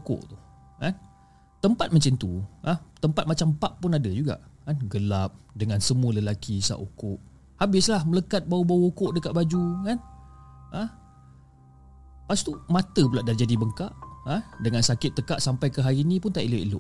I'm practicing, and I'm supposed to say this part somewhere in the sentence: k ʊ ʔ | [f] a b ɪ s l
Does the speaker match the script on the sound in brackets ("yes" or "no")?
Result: no